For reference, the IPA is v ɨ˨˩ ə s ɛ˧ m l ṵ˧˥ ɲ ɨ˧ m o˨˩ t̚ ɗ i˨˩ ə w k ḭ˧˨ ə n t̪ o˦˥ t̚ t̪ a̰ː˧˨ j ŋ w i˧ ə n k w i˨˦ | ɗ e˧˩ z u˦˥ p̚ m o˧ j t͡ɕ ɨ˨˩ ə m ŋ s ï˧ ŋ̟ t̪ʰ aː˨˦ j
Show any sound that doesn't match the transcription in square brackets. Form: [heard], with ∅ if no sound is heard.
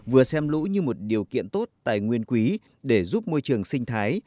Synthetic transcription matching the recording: v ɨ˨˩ ə s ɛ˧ m l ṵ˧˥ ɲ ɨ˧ m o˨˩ t̚ ɗ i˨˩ ə w k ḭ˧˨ ə n t̪ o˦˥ t̚ t̪ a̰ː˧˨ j ŋ w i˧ ə n k w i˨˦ | ɗ e˧˩ z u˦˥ p̚ m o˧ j t͡ɕ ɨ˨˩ ə [∅] ŋ s ï˧ ŋ̟ t̪ʰ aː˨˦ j